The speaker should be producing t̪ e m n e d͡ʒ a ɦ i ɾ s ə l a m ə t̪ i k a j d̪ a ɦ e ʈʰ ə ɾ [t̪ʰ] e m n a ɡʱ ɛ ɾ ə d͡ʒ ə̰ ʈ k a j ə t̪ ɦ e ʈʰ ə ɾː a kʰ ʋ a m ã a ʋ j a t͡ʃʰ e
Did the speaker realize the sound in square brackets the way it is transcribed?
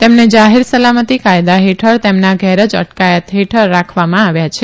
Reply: no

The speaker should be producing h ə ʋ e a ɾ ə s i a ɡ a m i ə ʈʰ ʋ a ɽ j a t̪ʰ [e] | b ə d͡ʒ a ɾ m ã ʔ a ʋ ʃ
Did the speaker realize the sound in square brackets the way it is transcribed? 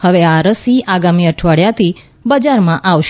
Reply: no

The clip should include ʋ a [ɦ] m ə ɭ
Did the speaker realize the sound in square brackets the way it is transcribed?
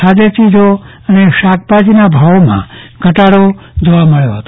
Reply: no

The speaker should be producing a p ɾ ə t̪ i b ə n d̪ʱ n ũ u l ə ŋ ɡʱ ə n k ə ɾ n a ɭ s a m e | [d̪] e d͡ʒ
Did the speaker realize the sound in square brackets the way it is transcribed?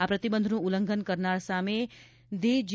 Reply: yes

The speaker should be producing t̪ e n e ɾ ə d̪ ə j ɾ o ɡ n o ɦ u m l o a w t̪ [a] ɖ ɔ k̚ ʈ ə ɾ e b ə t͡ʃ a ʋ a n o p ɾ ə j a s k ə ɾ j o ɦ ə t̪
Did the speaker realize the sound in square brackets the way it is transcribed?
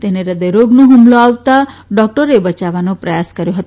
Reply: yes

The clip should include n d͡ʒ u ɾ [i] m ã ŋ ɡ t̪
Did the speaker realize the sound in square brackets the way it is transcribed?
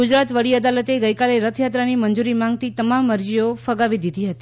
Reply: yes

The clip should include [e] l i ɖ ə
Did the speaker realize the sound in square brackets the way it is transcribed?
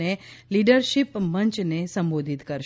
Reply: yes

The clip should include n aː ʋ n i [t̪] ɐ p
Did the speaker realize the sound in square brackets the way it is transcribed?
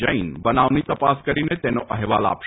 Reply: yes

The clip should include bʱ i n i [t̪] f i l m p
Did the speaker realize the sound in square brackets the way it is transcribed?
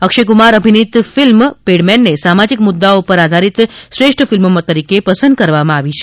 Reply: yes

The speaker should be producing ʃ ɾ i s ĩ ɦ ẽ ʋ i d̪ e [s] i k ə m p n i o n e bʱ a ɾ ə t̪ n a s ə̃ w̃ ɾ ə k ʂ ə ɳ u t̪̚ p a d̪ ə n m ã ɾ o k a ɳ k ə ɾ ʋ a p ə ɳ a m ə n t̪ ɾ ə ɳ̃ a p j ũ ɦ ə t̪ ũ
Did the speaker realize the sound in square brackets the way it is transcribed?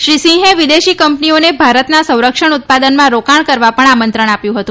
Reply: no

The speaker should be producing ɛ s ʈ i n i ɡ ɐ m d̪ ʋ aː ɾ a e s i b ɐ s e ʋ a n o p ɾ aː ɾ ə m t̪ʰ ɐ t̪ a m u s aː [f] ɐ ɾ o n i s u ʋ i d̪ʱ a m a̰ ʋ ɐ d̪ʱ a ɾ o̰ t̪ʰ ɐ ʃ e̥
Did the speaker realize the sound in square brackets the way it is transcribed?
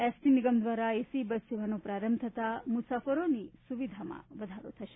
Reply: yes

